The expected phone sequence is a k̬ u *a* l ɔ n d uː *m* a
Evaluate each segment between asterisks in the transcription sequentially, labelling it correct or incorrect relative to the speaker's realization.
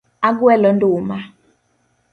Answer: incorrect: ɛ, correct

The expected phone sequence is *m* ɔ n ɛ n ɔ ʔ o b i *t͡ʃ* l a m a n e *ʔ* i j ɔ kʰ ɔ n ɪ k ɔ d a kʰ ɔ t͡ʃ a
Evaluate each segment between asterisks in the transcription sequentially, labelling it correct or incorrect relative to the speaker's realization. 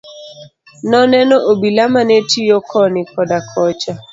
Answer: incorrect: n, incorrect: none, incorrect: t

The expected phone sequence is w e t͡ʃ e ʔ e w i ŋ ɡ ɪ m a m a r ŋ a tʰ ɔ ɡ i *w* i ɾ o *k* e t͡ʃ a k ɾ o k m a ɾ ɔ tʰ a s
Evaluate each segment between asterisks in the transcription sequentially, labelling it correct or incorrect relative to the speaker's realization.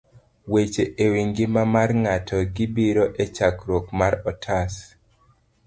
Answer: incorrect: b, incorrect: ʔ

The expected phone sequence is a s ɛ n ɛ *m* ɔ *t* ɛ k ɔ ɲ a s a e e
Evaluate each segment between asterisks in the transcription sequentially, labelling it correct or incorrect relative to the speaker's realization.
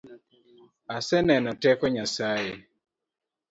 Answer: incorrect: n, correct

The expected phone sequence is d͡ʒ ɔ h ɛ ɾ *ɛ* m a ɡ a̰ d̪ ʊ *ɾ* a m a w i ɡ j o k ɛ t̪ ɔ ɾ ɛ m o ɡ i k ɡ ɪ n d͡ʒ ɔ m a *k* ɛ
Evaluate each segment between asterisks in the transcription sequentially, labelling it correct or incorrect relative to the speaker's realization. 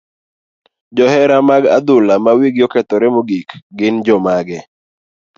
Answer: incorrect: a, incorrect: l, incorrect: ɡ

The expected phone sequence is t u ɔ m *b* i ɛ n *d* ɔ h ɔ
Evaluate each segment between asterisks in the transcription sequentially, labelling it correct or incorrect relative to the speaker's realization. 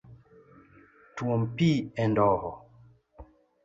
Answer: incorrect: p, correct

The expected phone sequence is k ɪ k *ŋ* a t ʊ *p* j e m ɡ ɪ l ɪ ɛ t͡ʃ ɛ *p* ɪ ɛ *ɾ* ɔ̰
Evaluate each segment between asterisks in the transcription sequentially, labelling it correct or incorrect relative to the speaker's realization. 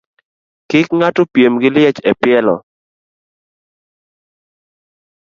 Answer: correct, correct, correct, incorrect: l

